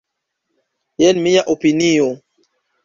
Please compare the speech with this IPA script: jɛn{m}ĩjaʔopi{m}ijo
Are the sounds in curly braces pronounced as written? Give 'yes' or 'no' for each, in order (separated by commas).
yes, no